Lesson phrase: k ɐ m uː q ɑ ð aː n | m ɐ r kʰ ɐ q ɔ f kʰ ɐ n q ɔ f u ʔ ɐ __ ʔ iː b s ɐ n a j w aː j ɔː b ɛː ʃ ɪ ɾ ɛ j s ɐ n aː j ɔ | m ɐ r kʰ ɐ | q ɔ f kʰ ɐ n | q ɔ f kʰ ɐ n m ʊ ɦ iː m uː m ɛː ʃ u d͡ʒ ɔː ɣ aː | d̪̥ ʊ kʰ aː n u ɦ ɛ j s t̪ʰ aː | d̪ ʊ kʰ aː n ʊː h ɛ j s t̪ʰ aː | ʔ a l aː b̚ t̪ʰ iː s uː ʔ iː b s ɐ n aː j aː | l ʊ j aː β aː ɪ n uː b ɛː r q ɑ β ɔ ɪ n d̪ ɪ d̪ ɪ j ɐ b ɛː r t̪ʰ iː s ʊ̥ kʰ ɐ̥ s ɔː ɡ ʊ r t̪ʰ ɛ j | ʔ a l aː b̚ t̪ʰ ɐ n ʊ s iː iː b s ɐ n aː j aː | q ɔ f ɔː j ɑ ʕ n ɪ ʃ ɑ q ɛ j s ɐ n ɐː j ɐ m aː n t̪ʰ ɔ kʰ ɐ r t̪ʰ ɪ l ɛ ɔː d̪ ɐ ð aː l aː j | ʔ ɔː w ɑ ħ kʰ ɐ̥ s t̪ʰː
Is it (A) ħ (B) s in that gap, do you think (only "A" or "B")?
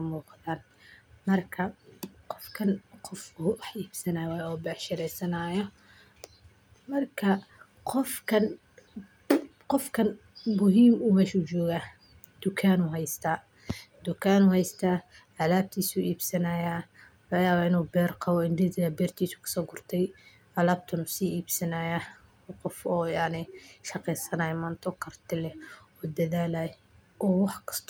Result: A